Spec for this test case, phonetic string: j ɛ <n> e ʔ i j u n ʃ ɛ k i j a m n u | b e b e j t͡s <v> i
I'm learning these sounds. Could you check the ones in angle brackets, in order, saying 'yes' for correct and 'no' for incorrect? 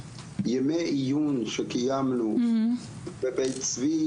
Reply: no, yes

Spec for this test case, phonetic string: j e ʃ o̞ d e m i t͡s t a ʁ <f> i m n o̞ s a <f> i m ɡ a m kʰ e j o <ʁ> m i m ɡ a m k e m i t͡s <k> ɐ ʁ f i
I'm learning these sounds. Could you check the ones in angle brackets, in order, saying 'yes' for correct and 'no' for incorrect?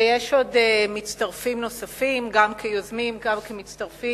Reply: yes, yes, no, no

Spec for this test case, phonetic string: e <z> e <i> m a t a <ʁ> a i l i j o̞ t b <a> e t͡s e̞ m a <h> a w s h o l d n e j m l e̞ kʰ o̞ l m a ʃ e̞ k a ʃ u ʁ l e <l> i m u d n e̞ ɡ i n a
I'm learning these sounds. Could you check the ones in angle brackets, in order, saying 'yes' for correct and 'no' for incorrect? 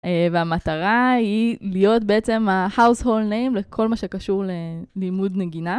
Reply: no, no, yes, no, yes, yes

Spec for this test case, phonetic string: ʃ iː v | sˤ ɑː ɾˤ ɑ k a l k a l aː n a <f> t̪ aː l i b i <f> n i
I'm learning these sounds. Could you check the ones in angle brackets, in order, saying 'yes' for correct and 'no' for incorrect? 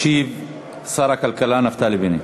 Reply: yes, no

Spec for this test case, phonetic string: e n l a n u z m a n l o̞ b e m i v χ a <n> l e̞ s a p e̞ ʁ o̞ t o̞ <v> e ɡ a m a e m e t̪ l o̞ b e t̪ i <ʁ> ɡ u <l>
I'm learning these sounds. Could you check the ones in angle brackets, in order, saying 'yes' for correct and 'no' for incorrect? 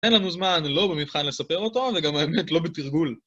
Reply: yes, yes, yes, yes

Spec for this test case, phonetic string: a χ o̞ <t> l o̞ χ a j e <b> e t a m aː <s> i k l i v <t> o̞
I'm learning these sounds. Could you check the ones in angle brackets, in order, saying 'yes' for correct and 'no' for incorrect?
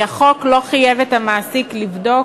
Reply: no, no, yes, no

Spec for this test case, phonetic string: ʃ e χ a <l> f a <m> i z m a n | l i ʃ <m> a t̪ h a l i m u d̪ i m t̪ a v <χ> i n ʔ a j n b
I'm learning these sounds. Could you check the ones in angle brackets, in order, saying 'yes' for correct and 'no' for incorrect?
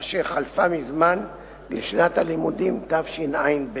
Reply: yes, yes, no, no

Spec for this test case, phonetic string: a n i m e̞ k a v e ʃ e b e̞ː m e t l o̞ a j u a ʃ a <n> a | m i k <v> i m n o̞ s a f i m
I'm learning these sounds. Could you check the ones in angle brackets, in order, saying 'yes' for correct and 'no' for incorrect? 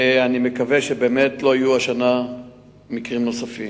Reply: yes, no

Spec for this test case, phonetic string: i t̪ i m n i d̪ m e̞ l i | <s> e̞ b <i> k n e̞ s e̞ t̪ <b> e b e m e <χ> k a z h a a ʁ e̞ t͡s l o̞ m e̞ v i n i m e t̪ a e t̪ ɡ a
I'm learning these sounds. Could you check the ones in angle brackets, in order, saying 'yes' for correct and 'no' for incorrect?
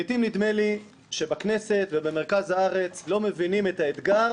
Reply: no, no, no, no

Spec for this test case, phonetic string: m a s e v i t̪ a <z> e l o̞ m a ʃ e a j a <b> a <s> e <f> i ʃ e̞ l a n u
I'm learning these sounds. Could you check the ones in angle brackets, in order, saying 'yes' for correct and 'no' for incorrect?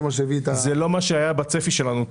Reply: yes, yes, no, yes

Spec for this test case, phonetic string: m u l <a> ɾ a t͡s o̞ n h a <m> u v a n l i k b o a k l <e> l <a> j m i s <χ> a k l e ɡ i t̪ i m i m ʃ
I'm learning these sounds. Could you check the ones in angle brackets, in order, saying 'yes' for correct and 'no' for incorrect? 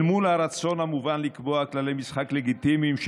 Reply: yes, yes, no, no, yes

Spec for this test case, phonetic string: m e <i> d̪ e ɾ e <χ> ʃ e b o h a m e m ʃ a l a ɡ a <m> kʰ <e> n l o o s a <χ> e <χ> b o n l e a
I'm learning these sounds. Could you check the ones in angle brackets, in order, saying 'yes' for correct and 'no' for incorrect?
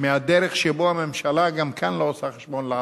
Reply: no, yes, yes, no, yes, no

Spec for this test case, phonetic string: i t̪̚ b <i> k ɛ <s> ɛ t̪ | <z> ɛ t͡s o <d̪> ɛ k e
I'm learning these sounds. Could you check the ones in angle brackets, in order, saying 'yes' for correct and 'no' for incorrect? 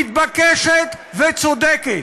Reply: no, no, no, yes

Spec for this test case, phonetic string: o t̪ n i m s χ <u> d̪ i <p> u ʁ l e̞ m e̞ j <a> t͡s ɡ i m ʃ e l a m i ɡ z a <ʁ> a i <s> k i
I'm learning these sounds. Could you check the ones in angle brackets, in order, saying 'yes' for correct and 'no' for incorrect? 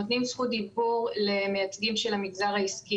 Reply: yes, no, yes, yes, yes

